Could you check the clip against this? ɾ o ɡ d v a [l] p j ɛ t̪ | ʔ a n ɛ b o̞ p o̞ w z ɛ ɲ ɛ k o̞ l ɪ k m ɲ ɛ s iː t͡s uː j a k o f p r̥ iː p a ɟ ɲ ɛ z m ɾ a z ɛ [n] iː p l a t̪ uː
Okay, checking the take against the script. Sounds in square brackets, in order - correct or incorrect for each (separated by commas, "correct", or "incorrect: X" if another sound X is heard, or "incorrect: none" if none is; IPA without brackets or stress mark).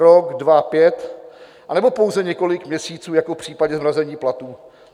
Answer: incorrect: none, incorrect: ɲ